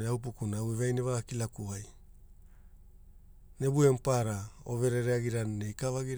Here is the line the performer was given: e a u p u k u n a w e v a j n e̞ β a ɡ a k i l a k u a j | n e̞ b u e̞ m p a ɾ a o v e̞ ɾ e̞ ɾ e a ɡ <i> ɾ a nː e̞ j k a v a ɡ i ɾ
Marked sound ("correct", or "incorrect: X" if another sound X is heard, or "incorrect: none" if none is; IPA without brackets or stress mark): correct